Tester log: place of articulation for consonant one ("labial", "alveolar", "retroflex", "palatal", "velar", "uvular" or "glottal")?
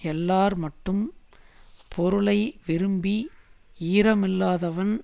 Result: alveolar